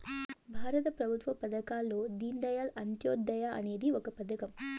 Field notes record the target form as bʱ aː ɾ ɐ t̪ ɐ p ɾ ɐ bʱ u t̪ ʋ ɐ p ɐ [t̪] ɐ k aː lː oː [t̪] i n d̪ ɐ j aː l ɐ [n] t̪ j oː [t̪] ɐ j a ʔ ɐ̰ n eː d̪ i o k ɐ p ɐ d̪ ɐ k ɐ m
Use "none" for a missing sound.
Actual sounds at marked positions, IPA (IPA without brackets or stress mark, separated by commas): d̪, d̪, n, d̪